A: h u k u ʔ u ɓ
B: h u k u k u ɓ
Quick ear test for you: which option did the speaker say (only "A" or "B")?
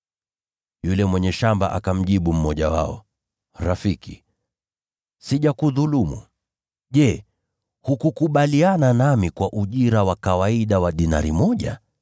B